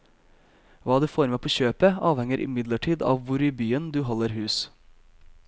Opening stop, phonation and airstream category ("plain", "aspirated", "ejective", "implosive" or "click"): plain